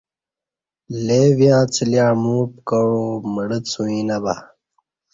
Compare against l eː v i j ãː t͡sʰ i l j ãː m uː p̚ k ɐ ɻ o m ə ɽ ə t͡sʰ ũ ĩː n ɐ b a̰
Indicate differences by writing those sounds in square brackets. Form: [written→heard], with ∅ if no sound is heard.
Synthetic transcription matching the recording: l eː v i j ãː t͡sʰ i l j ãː m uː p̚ k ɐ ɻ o m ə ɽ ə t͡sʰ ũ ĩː n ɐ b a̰